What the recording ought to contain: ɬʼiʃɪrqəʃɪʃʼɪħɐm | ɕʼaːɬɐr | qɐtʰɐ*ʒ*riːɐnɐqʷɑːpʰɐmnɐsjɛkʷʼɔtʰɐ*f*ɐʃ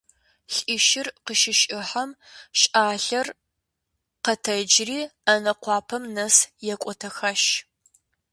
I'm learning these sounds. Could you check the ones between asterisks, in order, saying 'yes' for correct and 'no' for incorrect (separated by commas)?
no, no